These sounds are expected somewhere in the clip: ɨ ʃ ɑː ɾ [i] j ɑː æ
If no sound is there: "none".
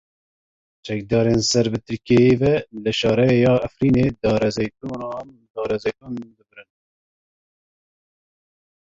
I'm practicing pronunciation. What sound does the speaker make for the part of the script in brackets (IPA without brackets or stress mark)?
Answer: ɛ